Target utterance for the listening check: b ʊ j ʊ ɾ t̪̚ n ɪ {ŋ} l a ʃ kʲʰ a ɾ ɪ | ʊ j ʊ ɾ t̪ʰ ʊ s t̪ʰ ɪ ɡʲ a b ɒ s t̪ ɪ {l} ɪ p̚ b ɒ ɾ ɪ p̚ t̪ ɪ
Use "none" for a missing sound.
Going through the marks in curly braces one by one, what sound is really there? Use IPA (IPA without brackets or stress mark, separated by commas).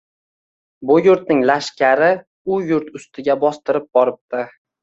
ŋ, ɾ